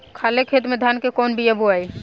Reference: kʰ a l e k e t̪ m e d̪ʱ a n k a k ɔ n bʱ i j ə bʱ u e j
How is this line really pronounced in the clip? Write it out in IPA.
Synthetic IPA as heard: kʰ a l e kʰ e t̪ m e d̪ʱ a n k e k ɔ n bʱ i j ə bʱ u a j